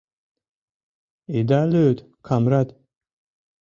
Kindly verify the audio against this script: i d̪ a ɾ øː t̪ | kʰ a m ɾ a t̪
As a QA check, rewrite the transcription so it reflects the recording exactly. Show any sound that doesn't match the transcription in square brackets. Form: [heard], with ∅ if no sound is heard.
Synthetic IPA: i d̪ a [l] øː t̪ | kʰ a m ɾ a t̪